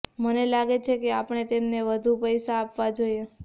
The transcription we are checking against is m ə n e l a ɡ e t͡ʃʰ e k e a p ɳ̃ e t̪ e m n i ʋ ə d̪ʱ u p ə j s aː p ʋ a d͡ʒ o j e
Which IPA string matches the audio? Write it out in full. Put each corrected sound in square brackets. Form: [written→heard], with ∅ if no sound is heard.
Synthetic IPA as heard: m ə n e l a ɡ e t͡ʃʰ e k e a p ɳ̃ e t̪ e m n [i→e] ʋ ə d̪ʱ u p ə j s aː p ʋ a d͡ʒ o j e

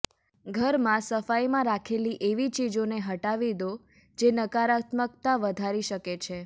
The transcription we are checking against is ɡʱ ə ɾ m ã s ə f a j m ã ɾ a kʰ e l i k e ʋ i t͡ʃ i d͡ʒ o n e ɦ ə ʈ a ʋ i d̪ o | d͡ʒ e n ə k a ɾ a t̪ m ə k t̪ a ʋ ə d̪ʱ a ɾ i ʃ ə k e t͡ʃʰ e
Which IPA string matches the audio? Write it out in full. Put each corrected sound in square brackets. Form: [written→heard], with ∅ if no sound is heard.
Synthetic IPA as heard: ɡʱ ə ɾ m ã s ə f a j m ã ɾ a kʰ e l i [k→ʔ] e ʋ i t͡ʃ i d͡ʒ o n e ɦ ə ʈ a ʋ i d̪ o | d͡ʒ e n ə k a ɾ a t̪ m ə k t̪ a ʋ ə d̪ʱ a ɾ i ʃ ə k e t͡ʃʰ e

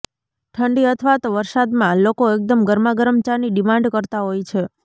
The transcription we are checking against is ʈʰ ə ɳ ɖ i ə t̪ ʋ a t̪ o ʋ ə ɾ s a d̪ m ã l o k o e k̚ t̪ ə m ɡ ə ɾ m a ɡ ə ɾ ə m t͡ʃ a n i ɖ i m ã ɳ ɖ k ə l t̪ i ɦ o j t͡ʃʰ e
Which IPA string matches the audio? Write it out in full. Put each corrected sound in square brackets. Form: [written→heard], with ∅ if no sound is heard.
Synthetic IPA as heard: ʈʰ ə ɳ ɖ i ə [t̪→t̪ʰ] ʋ a t̪ o ʋ ə ɾ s a d̪ m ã l o k o e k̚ [t̪→d̪] ə m ɡ ə ɾ m a ɡ ə ɾ ə m t͡ʃ a n i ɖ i m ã ɳ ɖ k ə [l→ɾ] t̪ [i→a] ɦ o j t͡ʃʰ e

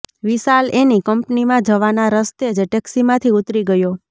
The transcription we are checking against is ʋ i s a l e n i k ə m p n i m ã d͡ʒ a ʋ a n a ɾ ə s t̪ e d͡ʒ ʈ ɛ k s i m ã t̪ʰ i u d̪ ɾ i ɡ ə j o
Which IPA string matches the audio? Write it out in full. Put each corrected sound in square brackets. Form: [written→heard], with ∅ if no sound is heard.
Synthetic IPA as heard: ʋ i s a l e n i k ə m p n i m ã d͡ʒ [a→ə] ʋ a n a ɾ ə s t̪ e d͡ʒ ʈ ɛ k s i m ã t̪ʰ i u [d̪→t̪] ɾ i ɡ ə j o

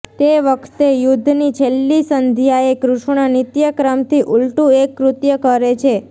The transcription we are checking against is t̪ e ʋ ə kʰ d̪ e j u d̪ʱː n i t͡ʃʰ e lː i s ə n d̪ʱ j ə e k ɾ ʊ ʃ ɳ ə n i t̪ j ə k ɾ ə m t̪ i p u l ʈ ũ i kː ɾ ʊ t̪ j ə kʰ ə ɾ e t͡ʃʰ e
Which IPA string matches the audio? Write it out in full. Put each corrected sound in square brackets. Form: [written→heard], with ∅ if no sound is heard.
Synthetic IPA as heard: t̪ e ʋ ə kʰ [d̪→t̪] e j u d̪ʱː n i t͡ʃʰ e lː i s ə n d̪ʱ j [ə→a] e k ɾ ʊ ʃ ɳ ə n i t̪ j ə k ɾ ə m t̪ i [p→ʔ] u l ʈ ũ [i→e] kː ɾ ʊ t̪ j ə [kʰ→k] ə ɾ e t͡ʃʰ e

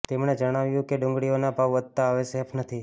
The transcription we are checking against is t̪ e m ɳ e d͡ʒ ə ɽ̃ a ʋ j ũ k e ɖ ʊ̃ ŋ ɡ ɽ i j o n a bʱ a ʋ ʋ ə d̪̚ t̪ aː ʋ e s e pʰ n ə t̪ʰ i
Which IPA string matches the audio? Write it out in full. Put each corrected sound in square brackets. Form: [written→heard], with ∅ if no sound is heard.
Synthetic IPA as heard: t̪ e m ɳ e d͡ʒ ə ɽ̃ a ʋ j ũ k e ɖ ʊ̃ ŋ ɡ ɽ i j o n a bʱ a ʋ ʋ ə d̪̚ t̪ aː ʋ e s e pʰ n ə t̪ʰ i

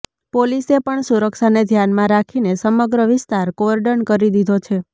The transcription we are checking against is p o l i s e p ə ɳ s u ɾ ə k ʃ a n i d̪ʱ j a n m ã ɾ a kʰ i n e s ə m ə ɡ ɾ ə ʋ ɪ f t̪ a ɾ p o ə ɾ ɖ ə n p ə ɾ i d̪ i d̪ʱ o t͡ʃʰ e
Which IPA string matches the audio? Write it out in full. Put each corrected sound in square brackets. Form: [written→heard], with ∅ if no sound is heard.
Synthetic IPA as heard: p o l i s e p ə ɳ s u ɾ ə k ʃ a n [i→e] d̪ʱ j a n m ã ɾ a kʰ i n e s ə m ə ɡ ɾ ə ʋ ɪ [f→s] t̪ a ɾ [p→k] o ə ɾ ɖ ə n [p→k] ə ɾ i d̪ i d̪ʱ o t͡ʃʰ e

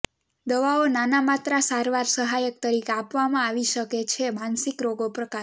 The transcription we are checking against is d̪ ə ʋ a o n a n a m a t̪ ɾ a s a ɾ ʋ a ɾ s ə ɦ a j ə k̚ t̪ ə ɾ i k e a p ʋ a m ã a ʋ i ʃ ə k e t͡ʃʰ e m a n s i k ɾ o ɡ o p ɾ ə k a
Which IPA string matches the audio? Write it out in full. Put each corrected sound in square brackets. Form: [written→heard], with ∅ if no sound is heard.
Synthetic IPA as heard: d̪ ə ʋ a o n a n a m a t̪ ɾ a s a ɾ ʋ a ɾ s ə ɦ a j ə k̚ t̪ ə ɾ i k e a p ʋ a m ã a ʋ i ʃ ə k e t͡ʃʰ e m a n s i k ɾ o ɡ o p ɾ ə k a

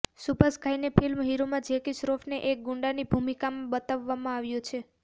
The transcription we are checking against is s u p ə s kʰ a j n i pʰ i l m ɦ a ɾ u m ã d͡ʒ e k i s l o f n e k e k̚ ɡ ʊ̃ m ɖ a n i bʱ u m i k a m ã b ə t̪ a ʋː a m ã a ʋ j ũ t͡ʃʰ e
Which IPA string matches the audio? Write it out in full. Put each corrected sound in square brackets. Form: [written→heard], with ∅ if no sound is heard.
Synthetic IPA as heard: s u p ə s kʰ a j n [i→e] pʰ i l m ɦ [a→i] ɾ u m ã d͡ʒ e k i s [l→ɾ] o f n e [k→ʔ] e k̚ ɡ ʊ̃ [m→ɳ] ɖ a n i bʱ u m i k a m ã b ə t̪ a ʋː a m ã a ʋ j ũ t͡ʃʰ e

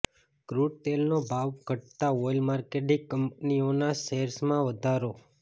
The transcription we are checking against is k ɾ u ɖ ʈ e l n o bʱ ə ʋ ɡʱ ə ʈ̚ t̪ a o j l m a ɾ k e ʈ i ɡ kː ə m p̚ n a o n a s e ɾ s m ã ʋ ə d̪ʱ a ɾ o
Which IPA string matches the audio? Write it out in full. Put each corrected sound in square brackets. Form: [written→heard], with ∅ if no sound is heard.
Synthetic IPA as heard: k ɾ u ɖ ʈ e l n o bʱ [ə→a] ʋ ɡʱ ə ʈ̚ t̪ a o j l m a ɾ k e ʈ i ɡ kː ə m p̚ n [a→i] o n a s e ɾ s m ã ʋ ə d̪ʱ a ɾ o

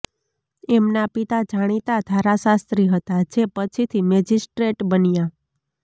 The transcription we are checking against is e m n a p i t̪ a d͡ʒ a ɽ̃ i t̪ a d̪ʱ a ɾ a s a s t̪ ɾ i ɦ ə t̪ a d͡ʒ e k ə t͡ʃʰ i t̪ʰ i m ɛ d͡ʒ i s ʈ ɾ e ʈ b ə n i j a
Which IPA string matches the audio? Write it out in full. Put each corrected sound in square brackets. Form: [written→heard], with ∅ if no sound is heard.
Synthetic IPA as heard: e m n a p i t̪ a d͡ʒ a ɽ̃ i t̪ a d̪ʱ a ɾ a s a s t̪ ɾ i ɦ ə t̪ a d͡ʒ e [k→p] ə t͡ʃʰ i t̪ʰ i m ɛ d͡ʒ i s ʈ ɾ e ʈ b ə n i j a

